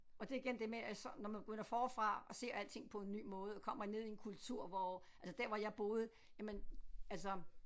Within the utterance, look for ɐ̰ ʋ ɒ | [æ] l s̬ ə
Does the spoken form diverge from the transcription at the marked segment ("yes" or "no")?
no